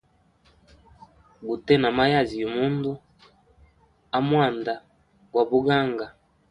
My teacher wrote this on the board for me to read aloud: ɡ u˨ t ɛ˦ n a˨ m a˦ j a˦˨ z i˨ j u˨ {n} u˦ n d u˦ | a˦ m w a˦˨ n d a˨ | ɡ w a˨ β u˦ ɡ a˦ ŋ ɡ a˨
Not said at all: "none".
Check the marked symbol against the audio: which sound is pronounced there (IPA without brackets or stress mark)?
m